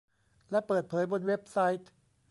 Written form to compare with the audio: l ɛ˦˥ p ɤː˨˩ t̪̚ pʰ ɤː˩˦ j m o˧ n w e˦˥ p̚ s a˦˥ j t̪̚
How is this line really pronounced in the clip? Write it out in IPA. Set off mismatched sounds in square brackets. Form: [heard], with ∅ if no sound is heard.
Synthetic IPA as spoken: l ɛ˦˥ p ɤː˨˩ t̪̚ pʰ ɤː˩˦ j [b] o˧ n w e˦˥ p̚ s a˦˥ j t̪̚